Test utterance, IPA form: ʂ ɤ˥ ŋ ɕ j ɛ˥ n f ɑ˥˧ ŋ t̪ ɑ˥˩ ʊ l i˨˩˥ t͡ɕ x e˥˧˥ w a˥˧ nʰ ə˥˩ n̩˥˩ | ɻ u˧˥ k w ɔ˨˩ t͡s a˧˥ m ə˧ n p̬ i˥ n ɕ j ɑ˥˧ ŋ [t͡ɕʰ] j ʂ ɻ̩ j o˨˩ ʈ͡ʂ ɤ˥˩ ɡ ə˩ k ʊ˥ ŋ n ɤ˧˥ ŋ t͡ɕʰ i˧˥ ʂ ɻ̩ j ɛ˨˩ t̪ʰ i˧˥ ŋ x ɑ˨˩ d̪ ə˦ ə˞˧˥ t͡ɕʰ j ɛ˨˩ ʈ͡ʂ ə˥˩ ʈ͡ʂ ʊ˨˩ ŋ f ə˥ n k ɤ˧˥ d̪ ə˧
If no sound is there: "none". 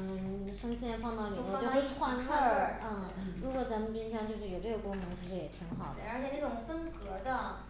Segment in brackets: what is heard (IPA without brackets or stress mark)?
t͡ɕ